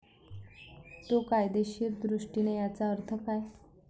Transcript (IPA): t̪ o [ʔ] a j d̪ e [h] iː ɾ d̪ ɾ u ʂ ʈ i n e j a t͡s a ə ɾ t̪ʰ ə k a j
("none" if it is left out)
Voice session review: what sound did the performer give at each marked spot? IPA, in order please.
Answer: k, ɕ

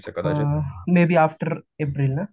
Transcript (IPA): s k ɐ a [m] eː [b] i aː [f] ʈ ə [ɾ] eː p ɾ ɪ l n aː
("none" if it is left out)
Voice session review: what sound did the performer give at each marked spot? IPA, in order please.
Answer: m, b, f, ɾ

